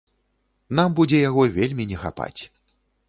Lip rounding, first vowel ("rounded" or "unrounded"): unrounded